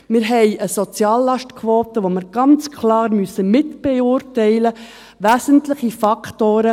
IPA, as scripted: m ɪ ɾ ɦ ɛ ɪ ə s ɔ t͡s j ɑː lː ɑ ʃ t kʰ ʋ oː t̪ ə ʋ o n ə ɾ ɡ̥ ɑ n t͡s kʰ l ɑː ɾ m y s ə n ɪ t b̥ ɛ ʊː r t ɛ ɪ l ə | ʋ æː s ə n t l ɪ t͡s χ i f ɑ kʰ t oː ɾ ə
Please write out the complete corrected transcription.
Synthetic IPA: m ɪ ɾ ɦ ɛ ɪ ə s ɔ t͡s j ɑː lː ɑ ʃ t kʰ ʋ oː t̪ ə ʋ o m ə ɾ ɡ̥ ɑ n t͡s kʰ l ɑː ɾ m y s ə m ɪ t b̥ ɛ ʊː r t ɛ ɪ l ə | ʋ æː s ə n t l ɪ χ i f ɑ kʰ t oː ɾ ə